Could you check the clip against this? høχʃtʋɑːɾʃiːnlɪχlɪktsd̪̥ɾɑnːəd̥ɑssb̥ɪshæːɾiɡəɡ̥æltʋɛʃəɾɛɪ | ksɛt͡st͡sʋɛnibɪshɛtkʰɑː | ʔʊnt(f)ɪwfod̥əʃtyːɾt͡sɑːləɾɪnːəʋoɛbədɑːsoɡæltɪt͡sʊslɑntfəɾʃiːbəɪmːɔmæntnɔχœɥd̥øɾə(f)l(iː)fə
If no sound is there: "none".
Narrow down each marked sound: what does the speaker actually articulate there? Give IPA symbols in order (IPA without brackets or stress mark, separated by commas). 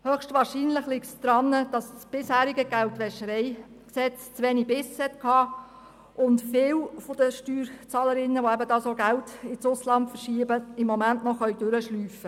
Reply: f, ʃ, yː